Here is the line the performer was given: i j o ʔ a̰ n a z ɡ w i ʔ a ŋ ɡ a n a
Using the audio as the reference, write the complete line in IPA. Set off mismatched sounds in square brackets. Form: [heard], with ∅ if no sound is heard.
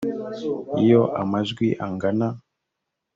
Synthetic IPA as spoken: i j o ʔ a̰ [m] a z ɡ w i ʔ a ŋ ɡ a n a